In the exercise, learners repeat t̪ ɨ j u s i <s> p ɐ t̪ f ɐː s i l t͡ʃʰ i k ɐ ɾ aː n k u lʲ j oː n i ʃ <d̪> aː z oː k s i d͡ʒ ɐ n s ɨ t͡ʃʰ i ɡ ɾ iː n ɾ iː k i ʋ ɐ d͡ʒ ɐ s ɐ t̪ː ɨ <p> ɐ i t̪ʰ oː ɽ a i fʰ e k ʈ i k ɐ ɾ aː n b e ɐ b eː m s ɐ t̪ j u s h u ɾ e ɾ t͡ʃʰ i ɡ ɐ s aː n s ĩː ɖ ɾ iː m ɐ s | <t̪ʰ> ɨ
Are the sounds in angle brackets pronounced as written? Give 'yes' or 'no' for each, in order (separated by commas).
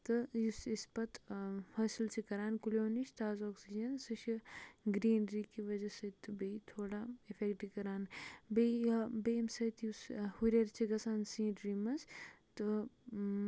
yes, no, no, no